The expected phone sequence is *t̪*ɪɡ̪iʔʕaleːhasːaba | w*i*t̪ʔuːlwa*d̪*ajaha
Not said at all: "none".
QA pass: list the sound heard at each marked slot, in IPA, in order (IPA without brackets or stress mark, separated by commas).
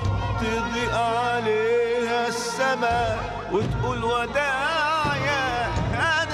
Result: t̪, ɪ, d̪